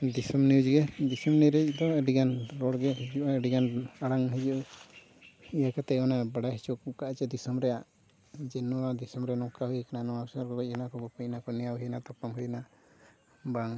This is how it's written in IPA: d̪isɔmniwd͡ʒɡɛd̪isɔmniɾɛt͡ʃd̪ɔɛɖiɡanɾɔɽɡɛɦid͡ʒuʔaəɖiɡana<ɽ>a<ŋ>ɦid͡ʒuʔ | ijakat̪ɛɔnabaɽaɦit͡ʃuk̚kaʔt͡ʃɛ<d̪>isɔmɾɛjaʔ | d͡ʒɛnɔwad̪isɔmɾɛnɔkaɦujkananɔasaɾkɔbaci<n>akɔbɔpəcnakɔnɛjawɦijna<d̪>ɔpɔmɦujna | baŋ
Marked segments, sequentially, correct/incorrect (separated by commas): correct, correct, correct, correct, incorrect